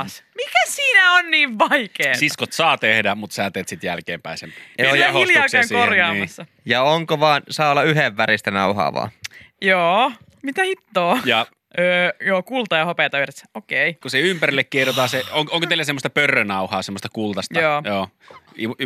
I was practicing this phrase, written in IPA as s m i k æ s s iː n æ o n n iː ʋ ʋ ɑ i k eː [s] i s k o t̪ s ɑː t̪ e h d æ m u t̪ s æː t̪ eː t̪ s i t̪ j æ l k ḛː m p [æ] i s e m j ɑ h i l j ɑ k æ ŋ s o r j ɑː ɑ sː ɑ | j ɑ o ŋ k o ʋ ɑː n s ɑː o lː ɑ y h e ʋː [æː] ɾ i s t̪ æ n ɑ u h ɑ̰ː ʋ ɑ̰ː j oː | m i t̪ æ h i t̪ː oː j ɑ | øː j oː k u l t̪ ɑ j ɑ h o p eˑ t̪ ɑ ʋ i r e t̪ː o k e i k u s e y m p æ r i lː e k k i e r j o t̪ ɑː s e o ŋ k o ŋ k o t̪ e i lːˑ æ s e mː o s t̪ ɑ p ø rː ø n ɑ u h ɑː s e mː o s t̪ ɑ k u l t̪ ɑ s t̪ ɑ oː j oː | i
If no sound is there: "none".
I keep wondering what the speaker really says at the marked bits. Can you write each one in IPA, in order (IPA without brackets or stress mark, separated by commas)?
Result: s, æ, æ